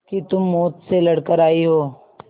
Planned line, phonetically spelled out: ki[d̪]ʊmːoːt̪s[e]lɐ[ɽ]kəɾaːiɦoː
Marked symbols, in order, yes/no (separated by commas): no, yes, yes